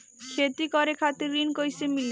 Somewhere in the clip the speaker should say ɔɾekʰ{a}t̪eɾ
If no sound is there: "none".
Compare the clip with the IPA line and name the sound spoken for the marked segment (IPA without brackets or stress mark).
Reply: a